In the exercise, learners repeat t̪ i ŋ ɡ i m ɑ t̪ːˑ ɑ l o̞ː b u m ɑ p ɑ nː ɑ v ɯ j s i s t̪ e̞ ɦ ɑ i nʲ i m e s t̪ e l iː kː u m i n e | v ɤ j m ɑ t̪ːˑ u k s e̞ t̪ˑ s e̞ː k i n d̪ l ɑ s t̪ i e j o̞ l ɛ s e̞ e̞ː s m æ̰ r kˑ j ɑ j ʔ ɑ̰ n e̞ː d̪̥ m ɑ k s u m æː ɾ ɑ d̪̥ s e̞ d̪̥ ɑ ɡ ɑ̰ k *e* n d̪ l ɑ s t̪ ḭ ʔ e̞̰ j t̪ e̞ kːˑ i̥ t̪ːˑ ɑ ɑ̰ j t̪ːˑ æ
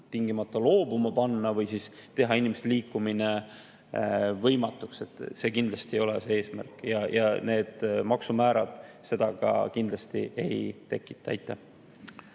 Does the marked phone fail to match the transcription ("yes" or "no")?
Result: yes